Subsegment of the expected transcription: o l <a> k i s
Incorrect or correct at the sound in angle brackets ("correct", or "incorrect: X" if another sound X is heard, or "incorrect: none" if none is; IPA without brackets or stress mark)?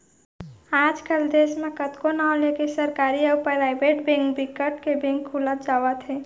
incorrect: e